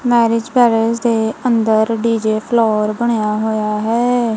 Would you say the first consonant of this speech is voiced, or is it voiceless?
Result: voiced